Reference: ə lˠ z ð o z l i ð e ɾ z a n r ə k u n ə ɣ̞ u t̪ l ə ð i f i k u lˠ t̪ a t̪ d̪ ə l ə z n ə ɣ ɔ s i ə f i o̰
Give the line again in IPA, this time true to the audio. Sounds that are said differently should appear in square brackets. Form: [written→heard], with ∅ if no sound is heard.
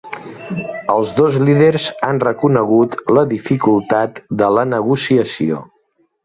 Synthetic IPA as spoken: ə lˠ z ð o z l i ð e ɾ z a n r ə k u n ə ɣ̞ u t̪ l ə ð i f i k u lˠ t̪ a t̪ d̪ ə l ə [z→∅] n ə ɣ [ɔ→u] s i ə [f→s] i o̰